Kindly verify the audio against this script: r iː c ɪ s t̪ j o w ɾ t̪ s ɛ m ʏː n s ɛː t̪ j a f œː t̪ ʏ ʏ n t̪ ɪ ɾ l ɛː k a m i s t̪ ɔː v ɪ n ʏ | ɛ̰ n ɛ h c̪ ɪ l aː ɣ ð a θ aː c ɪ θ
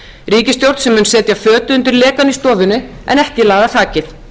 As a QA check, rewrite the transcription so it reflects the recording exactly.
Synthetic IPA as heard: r iː c ɪ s t̪ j o w ɾ t̪ s ɛ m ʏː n s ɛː t̪ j a f œː t̪ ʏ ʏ n t̪ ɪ ɾ l ɛː k a n i s t̪ ɔː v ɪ n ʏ | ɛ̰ n ɛ h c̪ ɪ l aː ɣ ð a θ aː c ɪ θ